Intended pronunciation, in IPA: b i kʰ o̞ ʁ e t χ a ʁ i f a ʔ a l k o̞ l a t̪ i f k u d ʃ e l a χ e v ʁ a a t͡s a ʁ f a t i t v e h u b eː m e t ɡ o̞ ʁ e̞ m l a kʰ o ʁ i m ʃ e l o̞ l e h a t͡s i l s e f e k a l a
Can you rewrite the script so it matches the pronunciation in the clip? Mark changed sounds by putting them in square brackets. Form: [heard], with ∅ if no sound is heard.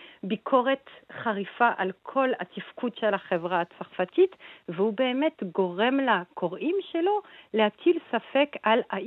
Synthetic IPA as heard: b i kʰ o̞ ʁ e t χ a ʁ i f a ʔ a l [kʰ] o̞ l a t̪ i f k u d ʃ e l a χ e v ʁ a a t͡s a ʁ f a t i t v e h u b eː m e t ɡ o̞ ʁ e̞ m l a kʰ o ʁ i m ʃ e l o̞ l e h a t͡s i l s [a] f e k a l a